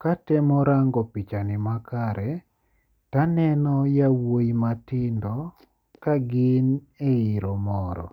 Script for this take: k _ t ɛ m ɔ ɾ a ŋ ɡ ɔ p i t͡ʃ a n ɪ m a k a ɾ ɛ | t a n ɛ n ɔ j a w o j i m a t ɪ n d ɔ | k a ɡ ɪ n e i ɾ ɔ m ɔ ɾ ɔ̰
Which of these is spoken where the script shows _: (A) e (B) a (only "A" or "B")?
B